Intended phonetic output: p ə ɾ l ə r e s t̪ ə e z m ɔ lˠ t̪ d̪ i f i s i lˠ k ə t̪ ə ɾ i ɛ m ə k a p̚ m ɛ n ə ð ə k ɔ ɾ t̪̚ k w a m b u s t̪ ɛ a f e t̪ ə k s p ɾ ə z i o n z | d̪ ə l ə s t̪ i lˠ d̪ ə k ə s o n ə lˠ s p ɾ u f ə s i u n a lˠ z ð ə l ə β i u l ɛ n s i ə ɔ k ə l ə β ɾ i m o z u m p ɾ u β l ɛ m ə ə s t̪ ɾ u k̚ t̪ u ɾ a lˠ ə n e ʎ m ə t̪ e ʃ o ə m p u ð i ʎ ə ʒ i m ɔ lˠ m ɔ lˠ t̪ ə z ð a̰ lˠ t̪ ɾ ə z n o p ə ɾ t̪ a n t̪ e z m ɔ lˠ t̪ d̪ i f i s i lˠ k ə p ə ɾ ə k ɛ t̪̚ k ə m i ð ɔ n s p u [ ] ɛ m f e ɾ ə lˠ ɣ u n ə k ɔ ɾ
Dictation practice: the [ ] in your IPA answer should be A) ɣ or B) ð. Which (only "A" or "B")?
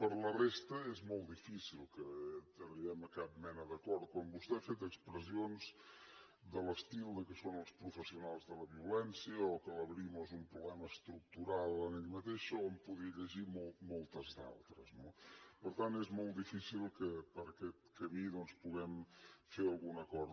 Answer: A